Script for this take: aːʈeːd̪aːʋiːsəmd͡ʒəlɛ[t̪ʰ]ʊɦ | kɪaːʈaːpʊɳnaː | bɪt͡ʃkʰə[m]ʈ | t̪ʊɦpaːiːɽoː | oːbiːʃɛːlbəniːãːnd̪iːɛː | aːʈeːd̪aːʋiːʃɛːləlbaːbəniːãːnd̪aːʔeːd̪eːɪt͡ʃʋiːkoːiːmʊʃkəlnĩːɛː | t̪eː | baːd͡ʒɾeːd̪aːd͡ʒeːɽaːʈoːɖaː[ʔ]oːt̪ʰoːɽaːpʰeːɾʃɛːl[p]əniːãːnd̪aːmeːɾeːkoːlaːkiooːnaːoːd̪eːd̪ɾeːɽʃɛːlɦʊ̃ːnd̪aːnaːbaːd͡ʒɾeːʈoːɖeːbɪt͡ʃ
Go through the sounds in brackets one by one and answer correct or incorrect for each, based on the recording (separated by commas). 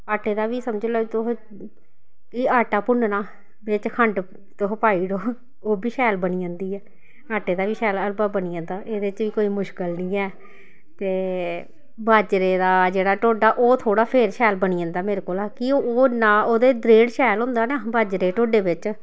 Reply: incorrect, incorrect, correct, incorrect